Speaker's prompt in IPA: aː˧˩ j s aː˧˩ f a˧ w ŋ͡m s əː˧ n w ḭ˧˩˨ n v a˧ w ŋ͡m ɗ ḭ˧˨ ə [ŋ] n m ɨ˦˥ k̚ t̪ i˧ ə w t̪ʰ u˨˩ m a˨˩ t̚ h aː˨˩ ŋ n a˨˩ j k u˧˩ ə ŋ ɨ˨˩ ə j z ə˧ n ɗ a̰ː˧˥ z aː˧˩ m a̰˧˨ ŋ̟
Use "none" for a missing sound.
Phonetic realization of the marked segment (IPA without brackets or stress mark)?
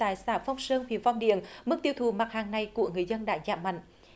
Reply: none